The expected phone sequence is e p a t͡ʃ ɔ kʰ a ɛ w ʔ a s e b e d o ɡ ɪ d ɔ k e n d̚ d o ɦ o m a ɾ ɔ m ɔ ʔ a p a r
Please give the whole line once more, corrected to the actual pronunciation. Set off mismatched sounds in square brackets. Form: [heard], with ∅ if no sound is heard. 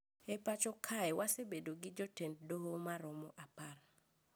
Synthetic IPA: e p a t͡ʃ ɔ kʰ a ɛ w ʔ a s e b e d o ɡ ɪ [d͡ʒ] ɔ [t] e n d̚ d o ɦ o m a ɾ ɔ m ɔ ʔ a p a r